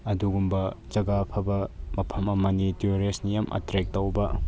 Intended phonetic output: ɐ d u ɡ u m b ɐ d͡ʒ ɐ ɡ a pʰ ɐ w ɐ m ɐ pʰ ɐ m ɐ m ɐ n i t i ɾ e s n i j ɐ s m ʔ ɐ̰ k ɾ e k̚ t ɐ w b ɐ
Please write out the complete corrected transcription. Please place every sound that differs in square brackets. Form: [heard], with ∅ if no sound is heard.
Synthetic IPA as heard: ɐ d u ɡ u m b ɐ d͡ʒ ɐ ɡ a pʰ ɐ [b] ɐ m ɐ pʰ ɐ m ɐ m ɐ n i t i ɾ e s n i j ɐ [∅] m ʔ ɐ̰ [t] ɾ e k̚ t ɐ w b ɐ